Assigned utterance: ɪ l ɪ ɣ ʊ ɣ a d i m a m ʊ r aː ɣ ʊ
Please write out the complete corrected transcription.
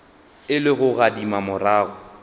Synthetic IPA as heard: ɪ l ɪ ɣ ʊ ɣ a d i m a m ʊ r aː ɣ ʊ